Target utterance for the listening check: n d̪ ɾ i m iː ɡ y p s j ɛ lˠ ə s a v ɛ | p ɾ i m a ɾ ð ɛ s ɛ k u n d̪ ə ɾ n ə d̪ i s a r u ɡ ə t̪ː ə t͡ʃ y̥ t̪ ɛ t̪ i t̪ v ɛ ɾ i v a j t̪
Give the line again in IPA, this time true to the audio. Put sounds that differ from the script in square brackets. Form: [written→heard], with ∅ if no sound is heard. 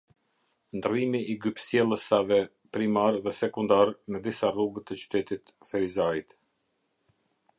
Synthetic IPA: n d̪ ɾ i m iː ɡ y p s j ɛ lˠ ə s a v ɛ | p ɾ i m a ɾ ð ɛ s ɛ k u n d̪ [ə→a] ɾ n ə d̪ i s a r u ɡ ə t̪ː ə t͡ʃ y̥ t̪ ɛ t̪ i t̪ [v→f] ɛ ɾ i [v→z] a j t̪

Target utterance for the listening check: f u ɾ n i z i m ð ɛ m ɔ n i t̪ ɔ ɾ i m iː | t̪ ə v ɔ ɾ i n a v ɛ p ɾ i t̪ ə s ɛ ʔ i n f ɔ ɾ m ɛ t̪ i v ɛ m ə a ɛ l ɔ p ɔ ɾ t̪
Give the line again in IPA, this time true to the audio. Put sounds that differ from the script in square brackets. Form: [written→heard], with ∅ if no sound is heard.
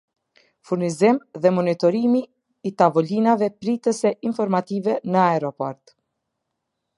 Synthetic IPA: f u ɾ n i z i m ð ɛ m ɔ n i t̪ ɔ ɾ i m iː | t̪ [ə→a] v ɔ [ɾ→l] i n a v ɛ p ɾ i t̪ ə s ɛ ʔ i n f ɔ ɾ m [ɛ→a] t̪ i v ɛ [m→n] ə a ɛ [l→ɾ] ɔ p ɔ ɾ t̪

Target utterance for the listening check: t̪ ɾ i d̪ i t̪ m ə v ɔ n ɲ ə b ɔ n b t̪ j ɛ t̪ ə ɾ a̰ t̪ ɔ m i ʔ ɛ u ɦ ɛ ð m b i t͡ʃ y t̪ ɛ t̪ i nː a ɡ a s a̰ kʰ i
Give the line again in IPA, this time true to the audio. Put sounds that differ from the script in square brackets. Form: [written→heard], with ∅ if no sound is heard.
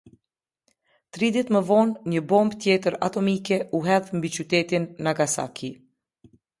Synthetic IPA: t̪ ɾ i d̪ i t̪ m ə v ɔ n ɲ ə b ɔ [n→m] b t̪ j ɛ t̪ ə ɾ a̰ t̪ ɔ m i [ʔ→k] ɛ u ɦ ɛ ð m b i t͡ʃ y t̪ ɛ t̪ i nː a ɡ a s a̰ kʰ i

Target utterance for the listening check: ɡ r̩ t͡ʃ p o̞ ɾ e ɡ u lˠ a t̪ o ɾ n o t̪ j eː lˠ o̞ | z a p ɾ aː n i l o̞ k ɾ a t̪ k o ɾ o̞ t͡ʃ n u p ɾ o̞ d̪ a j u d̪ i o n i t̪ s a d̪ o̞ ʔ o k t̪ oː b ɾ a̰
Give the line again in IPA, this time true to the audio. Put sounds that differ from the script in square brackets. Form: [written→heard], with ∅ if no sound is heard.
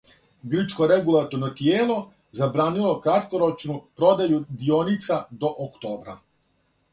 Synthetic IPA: ɡ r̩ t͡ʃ [p→k] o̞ ɾ e ɡ u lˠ a t̪ o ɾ n o t̪ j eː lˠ o̞ | z a [p→b] ɾ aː n i l o̞ k ɾ a t̪ k o ɾ o̞ t͡ʃ n u p ɾ o̞ d̪ a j u d̪ i o n i t̪ s a d̪ o̞ ʔ o k t̪ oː b ɾ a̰

